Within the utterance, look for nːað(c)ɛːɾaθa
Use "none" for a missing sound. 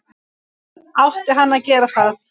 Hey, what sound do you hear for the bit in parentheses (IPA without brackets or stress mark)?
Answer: c